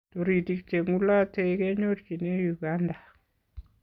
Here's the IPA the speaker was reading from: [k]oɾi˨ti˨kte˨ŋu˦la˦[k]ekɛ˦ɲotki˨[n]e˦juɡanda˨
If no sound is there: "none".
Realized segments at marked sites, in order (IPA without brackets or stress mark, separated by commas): t, t, n